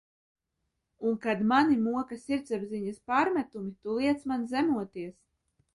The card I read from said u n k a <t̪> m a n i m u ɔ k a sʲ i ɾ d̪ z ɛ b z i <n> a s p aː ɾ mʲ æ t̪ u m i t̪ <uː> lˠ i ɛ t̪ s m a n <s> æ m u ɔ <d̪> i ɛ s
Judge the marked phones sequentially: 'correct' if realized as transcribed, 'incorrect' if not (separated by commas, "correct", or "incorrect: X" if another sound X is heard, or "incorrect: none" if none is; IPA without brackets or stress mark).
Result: incorrect: d̪, incorrect: ɲ, incorrect: u, incorrect: z, incorrect: t̪